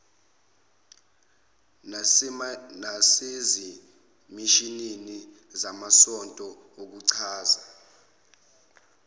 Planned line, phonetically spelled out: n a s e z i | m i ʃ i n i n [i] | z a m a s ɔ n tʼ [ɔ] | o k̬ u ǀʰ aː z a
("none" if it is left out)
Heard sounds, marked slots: i, ɔ

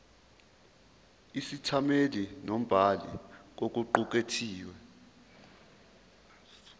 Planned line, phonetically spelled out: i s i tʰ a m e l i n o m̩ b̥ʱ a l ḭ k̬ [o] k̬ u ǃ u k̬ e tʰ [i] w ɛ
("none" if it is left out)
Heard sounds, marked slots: o, iː

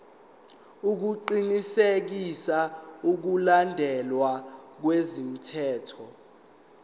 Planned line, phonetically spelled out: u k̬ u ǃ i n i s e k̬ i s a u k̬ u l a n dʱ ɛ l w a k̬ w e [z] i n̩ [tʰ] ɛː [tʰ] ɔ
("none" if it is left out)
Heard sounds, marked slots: z, tʰ, tʰ

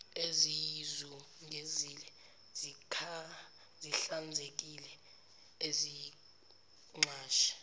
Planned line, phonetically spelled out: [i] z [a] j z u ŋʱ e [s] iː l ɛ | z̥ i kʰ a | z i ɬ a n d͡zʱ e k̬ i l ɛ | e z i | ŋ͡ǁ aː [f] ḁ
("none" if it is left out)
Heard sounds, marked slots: e, i, z, ʃ

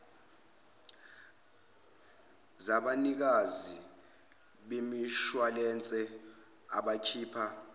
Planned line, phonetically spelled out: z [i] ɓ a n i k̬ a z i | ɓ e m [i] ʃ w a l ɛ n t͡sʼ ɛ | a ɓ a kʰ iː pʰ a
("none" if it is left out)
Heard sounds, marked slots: a, i

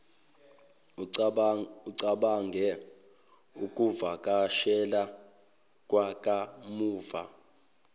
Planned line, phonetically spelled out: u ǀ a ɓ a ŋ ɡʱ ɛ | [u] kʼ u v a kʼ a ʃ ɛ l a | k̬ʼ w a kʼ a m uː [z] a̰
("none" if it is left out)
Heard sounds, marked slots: u, v

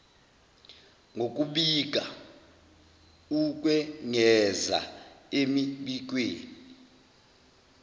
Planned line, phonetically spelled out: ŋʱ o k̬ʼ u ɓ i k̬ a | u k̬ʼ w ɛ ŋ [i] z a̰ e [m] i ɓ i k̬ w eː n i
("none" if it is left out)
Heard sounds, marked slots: ɛ, m

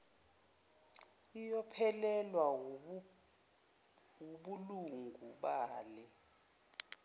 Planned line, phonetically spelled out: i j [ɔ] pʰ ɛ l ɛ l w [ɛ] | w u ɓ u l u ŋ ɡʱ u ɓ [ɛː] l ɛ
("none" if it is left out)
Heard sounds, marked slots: ɔ, a, aː

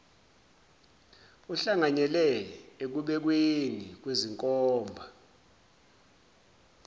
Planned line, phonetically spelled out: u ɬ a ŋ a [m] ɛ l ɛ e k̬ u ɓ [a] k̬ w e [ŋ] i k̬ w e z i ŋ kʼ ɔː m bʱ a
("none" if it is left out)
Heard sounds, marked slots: ɲ, ɛ, n

